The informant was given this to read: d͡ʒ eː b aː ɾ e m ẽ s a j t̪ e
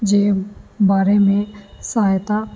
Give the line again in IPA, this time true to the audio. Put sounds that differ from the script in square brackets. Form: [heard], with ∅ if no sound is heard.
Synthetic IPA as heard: d͡ʒ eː b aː ɾ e m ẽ s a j t̪ [a]